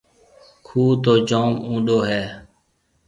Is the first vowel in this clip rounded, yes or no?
yes